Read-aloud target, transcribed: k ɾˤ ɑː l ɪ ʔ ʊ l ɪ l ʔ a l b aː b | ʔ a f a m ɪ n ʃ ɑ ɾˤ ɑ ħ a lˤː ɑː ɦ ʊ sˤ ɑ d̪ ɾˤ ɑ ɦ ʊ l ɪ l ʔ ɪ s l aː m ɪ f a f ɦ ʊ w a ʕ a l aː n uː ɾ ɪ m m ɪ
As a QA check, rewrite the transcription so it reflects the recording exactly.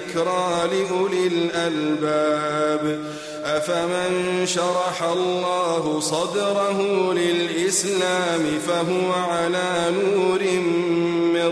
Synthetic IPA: k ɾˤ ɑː l ɪ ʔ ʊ l ɪ l ʔ a l b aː b | ʔ a f a m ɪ n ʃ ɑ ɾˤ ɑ ħ a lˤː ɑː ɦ ʊ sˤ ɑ d̪ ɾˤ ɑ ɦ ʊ l ɪ l ʔ ɪ s l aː m ɪ f a ɦ ʊ w a ʕ a l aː n uː ɾ ɪ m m ɪ